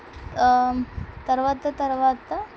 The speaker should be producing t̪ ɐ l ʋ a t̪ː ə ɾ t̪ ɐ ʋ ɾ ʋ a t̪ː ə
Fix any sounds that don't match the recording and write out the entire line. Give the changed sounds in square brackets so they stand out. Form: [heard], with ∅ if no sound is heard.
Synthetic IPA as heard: t̪ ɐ [ɾ] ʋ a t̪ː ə [∅] t̪ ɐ [∅] ɾ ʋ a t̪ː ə